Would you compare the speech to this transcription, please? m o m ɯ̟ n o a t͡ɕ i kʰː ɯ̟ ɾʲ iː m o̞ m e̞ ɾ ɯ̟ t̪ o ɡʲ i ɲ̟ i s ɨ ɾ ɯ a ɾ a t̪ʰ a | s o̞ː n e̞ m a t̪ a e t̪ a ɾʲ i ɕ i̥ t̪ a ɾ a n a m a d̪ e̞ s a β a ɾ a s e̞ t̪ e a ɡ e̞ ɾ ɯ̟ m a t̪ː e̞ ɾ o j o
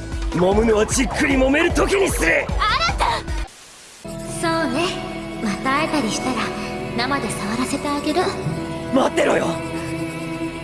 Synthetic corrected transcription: m o m ɯ̟ n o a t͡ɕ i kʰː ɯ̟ ɾʲ i m o̞ m e̞ ɾ ɯ̟ t̪ o kʲ i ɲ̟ i s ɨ ɾ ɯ a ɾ a t̪ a | s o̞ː n e̞ m a t̪ a e t̪ a ɾʲ i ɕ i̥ t̪ a ɾ a n a m a d̪ e̞ s a β a ɾ a s e̞ t̪ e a ɡ e̞ ɾ ɯ̟ m a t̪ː e̞ ɾ o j o